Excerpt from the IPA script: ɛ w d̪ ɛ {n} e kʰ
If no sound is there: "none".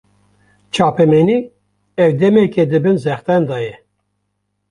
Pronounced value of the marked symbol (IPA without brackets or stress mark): m